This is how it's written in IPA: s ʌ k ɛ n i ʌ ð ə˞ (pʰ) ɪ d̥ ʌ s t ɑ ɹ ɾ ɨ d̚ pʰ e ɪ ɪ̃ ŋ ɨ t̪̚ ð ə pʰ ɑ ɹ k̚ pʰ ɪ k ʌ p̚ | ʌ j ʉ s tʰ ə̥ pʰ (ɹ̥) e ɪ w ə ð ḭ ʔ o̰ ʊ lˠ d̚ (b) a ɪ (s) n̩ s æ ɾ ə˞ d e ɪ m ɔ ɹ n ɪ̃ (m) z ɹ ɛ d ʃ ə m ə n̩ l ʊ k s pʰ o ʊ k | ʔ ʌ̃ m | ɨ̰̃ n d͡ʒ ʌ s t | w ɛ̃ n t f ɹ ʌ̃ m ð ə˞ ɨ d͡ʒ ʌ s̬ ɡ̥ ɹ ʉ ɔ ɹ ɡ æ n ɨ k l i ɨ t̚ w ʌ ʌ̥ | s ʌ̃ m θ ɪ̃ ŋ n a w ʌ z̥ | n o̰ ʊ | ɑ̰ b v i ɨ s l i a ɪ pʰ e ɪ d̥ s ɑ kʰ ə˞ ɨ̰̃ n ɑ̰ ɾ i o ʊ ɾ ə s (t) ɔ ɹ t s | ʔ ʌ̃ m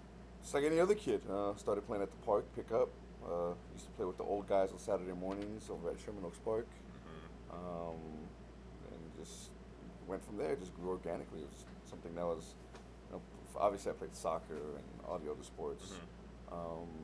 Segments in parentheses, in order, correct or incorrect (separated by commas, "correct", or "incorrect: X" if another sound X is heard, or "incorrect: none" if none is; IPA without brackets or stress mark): incorrect: kʰ, incorrect: l̥, incorrect: ɡ, incorrect: z, incorrect: ŋ, incorrect: p